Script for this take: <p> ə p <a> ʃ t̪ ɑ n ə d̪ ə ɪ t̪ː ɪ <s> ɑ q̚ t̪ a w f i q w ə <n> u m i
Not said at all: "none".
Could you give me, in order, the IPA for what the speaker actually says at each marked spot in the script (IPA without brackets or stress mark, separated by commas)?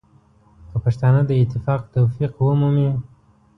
k, a, f, m